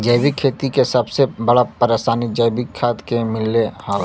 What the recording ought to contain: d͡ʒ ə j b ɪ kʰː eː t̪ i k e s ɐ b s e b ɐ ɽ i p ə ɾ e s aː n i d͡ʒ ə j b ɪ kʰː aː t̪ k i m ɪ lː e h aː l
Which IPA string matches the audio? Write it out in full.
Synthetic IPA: d͡ʒ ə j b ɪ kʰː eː t̪ i k e s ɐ b s e b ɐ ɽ a p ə ɾ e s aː n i d͡ʒ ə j b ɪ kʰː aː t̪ k e m ɪ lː e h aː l